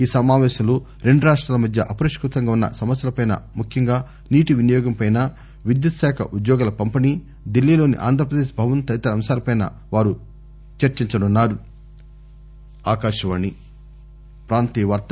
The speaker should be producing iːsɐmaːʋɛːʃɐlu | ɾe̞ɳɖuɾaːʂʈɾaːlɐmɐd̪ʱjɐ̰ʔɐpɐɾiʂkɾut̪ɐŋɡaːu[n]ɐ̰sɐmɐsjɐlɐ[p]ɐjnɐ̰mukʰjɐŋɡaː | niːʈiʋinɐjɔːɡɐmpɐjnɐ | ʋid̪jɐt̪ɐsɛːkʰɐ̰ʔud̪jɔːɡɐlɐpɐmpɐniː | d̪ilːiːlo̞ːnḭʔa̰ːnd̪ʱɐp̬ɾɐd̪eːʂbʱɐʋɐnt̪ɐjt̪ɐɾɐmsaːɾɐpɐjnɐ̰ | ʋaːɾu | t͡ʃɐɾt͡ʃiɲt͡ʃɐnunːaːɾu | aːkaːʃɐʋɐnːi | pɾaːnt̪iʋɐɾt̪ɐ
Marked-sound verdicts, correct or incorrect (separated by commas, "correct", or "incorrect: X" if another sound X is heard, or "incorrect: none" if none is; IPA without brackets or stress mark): incorrect: nː, correct